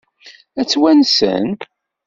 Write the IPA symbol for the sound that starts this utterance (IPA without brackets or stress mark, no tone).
æ